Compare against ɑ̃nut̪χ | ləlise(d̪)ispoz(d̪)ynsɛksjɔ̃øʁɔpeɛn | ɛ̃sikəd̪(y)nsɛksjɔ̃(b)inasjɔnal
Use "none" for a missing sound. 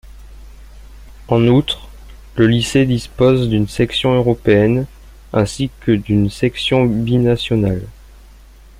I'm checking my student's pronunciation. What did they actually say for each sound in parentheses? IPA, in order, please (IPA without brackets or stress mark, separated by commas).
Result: d̪, d̪, y, b